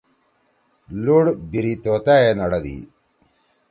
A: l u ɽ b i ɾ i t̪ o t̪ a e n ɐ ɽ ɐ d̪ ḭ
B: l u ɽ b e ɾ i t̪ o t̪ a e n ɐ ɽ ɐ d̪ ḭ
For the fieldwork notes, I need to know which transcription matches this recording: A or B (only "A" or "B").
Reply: A